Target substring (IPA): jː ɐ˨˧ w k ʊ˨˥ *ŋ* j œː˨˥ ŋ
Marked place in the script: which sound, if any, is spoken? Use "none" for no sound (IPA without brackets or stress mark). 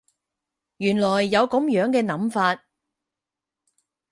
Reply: m